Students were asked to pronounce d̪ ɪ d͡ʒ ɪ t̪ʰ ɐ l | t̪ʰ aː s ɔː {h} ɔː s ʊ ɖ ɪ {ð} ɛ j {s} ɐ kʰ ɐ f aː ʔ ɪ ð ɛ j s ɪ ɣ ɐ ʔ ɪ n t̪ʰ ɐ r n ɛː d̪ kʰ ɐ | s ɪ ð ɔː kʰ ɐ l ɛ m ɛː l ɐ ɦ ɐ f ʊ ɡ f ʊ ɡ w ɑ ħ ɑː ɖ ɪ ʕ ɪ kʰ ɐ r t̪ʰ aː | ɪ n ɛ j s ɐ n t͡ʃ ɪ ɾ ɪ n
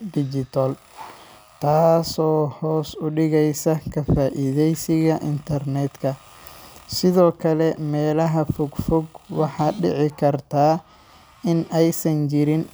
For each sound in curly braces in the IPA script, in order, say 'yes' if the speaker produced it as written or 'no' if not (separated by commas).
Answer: yes, no, yes